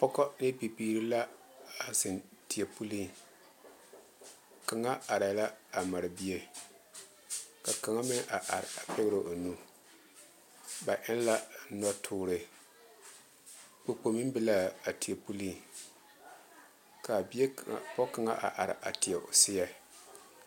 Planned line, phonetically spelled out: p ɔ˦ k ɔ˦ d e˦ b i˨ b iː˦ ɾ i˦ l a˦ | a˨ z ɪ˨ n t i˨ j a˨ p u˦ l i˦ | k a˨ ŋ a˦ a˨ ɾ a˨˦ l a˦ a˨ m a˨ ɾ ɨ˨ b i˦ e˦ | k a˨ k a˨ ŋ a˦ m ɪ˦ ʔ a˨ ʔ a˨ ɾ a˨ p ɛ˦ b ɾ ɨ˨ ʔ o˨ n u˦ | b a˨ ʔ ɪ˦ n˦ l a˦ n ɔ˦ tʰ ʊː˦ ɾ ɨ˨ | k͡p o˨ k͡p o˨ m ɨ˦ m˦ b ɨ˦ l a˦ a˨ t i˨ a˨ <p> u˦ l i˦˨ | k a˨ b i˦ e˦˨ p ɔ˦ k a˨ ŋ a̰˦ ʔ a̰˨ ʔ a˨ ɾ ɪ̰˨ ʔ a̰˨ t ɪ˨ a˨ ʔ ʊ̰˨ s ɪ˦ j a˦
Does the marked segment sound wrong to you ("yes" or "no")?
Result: no